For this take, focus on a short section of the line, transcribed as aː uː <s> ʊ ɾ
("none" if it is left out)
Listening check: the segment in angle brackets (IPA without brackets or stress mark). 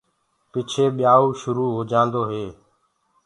ʃ